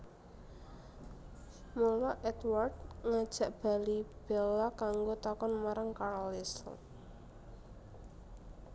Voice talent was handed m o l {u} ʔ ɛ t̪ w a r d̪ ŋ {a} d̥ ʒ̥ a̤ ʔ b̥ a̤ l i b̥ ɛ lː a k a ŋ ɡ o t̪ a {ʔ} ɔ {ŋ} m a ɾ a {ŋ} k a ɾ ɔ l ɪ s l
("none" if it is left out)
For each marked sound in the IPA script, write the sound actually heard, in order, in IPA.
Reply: ɔ, a, k, n, ŋ

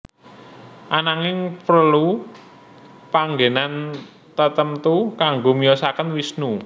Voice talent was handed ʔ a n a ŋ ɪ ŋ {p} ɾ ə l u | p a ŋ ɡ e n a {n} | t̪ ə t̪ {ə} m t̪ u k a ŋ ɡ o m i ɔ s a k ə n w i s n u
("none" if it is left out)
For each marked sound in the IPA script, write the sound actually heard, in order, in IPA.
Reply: p, n, ə

